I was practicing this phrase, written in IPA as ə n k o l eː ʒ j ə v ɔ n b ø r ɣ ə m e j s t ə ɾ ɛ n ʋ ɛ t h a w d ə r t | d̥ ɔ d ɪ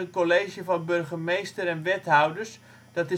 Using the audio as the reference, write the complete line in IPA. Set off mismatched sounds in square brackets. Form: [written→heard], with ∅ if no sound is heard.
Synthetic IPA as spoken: ə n k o l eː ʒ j ə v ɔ n b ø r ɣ ə m e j s t ə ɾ ɛ n ʋ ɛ t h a w d ə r [t→s] | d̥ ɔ [d→t] ɪ